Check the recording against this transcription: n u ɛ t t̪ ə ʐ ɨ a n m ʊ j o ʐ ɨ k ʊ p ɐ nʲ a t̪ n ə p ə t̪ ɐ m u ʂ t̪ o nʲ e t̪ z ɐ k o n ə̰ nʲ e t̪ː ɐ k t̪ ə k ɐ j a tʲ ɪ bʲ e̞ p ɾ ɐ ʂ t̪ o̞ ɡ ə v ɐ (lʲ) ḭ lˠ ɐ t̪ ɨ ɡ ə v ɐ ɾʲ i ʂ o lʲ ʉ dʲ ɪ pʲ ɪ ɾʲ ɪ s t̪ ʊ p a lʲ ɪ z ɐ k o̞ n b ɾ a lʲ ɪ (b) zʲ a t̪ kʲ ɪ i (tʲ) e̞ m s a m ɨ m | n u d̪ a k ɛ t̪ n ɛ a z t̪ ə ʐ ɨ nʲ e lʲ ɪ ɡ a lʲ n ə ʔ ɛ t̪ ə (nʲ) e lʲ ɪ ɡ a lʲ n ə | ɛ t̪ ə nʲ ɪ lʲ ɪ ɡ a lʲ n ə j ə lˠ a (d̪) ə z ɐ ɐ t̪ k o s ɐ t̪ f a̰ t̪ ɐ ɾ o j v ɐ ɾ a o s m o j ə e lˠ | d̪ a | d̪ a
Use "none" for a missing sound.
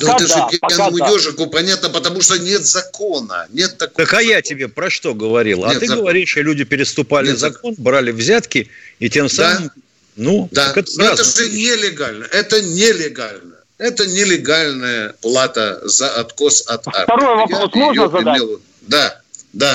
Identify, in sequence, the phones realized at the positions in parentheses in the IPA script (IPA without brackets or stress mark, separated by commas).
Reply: ɾʲ, v, tʲ, nʲ, t̪